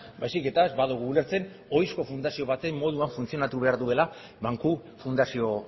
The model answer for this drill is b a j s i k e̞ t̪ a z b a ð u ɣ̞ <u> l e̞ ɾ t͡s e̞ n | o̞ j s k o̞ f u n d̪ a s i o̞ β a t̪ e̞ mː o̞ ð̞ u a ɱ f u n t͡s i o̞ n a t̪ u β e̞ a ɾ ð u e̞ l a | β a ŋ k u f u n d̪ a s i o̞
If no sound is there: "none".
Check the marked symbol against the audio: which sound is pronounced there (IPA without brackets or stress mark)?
uː